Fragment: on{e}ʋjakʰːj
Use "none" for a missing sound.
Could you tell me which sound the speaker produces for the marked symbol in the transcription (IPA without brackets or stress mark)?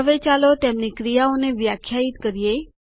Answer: e